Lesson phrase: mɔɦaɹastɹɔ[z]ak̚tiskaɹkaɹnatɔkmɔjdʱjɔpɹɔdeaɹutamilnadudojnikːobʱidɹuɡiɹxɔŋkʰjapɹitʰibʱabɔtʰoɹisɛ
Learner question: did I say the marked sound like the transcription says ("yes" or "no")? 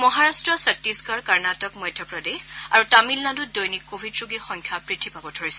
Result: no